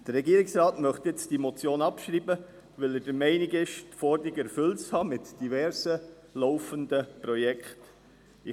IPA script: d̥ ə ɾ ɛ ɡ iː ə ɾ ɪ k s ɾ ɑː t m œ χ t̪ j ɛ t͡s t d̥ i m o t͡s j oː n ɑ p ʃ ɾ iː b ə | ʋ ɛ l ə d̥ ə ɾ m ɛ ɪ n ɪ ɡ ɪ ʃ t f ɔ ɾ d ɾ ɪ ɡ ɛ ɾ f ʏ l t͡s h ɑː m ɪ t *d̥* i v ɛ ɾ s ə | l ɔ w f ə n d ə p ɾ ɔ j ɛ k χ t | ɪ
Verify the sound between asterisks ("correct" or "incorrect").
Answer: correct